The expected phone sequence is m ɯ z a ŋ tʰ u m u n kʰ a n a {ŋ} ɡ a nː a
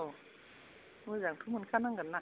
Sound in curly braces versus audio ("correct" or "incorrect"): correct